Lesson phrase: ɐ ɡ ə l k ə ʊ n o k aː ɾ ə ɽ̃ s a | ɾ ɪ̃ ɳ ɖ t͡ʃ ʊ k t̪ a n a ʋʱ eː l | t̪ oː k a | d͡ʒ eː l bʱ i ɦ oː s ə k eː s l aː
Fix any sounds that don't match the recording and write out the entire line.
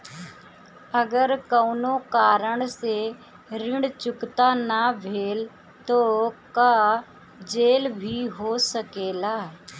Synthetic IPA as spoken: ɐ ɡ ə ɾ k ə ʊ n o k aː ɾ ə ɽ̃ s e | ɾ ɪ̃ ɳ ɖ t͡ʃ ʊ k t̪ a n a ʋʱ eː l | t̪ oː k a | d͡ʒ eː l bʱ i ɦ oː s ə k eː l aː